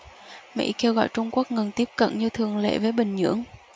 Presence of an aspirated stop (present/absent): present